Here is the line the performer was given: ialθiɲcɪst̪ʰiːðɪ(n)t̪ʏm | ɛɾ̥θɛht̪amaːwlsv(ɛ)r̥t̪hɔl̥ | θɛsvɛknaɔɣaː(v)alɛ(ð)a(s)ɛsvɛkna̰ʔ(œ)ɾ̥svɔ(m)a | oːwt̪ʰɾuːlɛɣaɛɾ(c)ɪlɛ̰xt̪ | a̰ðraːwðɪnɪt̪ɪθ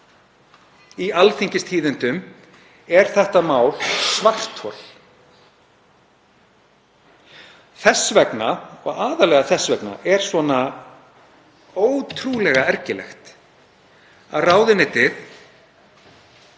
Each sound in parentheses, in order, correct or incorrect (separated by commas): correct, incorrect, incorrect, incorrect, incorrect, incorrect, incorrect, correct